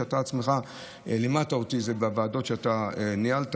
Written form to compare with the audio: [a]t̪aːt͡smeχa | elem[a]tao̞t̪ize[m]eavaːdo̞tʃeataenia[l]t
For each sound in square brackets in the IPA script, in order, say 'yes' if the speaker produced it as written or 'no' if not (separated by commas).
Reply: yes, yes, no, yes